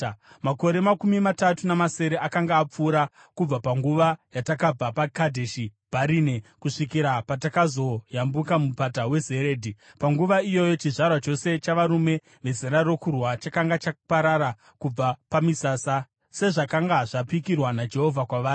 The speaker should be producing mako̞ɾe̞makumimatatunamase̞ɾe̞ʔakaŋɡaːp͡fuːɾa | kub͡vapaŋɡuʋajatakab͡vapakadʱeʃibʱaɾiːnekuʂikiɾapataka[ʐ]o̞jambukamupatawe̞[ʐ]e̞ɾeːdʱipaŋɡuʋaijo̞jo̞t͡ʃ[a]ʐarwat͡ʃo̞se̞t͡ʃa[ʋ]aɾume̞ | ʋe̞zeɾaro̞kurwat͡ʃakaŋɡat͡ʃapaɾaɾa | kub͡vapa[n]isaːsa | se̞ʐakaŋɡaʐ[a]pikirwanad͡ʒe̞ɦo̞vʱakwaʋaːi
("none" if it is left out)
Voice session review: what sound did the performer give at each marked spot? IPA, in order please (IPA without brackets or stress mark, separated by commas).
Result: z, z, i, ʋ, m, a